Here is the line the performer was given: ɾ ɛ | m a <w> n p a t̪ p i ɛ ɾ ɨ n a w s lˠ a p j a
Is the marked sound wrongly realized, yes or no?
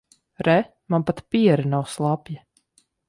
yes